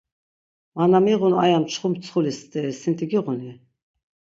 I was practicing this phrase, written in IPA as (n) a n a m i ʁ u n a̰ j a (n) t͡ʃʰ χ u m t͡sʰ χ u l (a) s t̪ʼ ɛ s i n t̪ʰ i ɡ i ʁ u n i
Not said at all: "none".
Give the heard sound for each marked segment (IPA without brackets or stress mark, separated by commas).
m, m, i